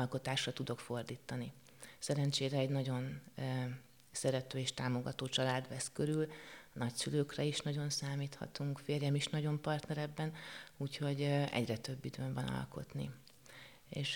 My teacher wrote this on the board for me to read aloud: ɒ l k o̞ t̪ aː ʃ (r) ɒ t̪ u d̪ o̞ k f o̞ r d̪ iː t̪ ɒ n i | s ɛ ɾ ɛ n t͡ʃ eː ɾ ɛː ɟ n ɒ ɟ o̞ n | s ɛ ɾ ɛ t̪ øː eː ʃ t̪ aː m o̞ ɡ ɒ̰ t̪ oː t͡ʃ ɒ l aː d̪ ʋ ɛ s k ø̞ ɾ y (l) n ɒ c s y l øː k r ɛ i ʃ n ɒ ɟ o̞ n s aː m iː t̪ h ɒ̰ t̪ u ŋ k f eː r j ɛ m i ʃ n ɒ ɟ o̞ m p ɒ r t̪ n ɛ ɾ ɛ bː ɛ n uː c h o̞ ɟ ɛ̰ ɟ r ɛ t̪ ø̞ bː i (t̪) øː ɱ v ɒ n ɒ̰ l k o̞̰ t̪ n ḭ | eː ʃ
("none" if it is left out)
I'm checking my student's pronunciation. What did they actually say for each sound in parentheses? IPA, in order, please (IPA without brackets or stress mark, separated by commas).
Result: r, l, d̪